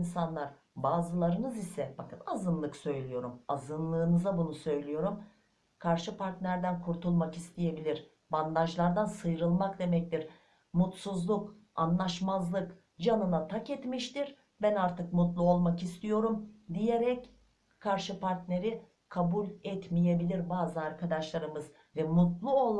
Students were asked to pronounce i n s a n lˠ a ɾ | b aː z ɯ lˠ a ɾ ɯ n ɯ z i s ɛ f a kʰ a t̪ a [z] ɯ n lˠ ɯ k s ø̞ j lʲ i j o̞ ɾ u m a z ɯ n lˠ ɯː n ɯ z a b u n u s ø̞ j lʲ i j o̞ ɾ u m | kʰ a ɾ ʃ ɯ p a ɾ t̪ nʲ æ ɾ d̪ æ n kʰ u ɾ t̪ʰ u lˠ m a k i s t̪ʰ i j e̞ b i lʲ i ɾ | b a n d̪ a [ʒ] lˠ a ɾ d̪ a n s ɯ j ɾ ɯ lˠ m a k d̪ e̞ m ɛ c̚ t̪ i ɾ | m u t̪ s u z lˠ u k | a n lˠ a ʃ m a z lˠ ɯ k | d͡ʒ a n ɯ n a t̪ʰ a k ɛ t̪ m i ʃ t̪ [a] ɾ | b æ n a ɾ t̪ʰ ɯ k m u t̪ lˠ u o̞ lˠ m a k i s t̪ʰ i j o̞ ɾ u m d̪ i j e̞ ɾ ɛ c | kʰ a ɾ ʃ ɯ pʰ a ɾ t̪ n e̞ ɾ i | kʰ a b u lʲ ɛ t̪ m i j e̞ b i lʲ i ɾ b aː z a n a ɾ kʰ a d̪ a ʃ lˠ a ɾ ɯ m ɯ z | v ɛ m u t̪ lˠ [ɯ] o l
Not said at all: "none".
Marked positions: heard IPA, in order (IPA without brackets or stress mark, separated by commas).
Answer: z, ʒ, i, u